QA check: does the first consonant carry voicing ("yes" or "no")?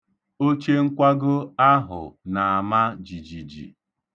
no